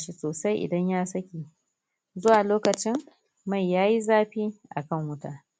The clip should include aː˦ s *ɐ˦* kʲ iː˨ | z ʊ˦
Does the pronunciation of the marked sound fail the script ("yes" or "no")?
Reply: no